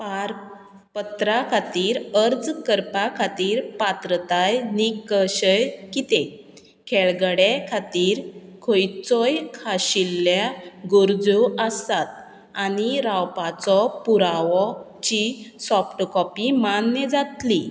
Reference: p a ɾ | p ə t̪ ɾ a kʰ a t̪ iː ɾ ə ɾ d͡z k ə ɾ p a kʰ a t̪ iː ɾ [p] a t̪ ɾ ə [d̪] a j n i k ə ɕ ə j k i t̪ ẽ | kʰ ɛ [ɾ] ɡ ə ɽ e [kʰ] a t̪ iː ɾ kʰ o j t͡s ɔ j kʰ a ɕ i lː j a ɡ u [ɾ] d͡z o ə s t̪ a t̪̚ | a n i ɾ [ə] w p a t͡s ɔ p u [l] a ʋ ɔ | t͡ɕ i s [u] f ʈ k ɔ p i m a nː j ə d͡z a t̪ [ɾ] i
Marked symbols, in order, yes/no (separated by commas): yes, no, no, yes, yes, no, no, no, no